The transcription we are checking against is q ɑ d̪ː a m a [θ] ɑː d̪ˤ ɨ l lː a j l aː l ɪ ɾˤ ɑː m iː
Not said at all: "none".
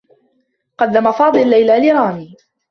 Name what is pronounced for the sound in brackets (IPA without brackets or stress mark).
f